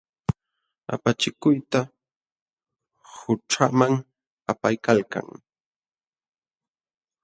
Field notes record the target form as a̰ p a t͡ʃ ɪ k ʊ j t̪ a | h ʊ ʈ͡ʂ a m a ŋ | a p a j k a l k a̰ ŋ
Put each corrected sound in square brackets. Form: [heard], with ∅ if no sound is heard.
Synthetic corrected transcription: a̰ p a t͡ʃ ɪ k ʊ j t̪ a | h ʊ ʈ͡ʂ a m a ŋ | a p a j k a l k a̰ ŋ